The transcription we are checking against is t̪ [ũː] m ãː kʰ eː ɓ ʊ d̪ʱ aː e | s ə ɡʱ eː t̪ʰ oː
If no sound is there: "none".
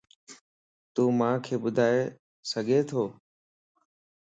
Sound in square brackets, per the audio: uː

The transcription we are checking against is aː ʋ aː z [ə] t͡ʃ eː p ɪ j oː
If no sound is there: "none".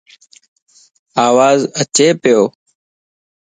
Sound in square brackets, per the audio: ə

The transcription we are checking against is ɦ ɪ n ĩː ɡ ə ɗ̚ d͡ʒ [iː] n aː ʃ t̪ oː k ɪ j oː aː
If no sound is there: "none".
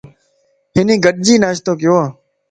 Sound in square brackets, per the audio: iː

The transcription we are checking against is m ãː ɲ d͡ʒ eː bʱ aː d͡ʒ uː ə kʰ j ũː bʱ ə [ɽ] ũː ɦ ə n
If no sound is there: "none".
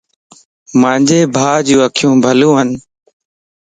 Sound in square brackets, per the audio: l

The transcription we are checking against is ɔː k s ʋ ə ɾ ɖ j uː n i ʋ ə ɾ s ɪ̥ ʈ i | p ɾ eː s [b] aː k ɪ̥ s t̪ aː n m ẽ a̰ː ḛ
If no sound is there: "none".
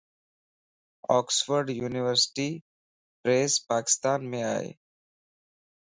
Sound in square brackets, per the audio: p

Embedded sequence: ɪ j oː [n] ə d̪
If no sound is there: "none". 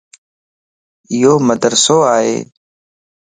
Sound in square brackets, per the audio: m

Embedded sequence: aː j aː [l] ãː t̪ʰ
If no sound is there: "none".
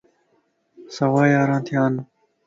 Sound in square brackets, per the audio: ɾ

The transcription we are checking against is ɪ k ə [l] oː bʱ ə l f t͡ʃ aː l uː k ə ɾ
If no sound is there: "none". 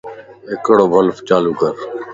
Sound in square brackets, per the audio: ɽ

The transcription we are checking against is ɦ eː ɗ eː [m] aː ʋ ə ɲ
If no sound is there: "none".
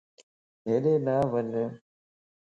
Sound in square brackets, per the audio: n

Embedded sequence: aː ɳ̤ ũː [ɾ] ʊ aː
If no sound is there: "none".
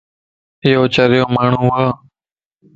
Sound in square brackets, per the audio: none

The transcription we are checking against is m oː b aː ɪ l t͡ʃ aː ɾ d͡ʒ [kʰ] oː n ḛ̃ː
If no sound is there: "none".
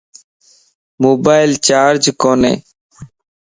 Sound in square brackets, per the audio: k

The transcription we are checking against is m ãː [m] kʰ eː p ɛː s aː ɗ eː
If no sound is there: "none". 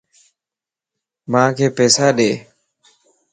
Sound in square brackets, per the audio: none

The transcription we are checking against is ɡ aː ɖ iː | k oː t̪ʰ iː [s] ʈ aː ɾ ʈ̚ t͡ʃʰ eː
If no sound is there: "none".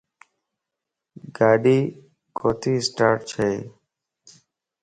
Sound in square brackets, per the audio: s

